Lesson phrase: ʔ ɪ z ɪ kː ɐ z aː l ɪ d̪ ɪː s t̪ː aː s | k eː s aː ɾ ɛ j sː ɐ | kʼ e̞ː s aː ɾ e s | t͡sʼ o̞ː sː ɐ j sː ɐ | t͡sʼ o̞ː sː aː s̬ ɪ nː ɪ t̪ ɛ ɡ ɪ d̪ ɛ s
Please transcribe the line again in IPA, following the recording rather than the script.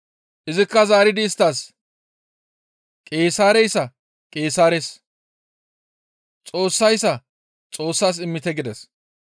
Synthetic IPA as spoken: ʔ ɪ z ɪ kː ɐ z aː ɾ ɪ d̪ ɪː s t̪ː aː s | kʼ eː s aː ɾ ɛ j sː ɐ | kʼ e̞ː s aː ɾ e s | t͡sʼ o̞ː sː ɐ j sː ɐ | t͡sʼ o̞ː sː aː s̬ ɪ mː ɪ t̪ ɛ ɡ ɪ d̪ ɛ s